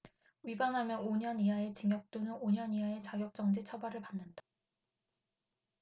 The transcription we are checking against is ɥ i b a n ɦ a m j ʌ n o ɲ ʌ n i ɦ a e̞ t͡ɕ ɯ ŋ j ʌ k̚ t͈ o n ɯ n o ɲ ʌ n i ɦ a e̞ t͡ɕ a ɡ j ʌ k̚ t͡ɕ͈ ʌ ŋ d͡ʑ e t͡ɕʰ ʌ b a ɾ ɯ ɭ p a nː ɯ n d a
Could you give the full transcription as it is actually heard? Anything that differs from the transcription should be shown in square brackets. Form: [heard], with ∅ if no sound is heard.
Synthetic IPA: ɥ i b a n ɦ a m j ʌ n o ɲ ʌ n i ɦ a e̞ t͡ɕ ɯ ŋ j ʌ k̚ t͈ o n ɯ n o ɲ ʌ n i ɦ a e̞ t͡ɕ a ɡ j ʌ k̚ t͡ɕ͈ ʌ ŋ d͡ʑ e t͡ɕʰ ʌ b a ɾ ɯ ɭ p a nː ɯ n d a